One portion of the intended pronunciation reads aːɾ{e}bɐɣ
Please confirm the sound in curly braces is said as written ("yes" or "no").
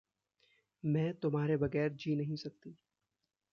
yes